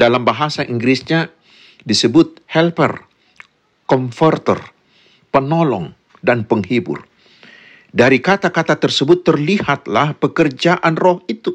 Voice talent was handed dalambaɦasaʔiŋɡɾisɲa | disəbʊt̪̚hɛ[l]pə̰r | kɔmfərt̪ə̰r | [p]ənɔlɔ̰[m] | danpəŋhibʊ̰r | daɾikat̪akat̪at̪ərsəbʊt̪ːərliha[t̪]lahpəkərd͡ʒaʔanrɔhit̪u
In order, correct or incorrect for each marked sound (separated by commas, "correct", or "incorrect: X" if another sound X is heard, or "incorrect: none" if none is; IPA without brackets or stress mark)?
correct, correct, incorrect: ŋ, correct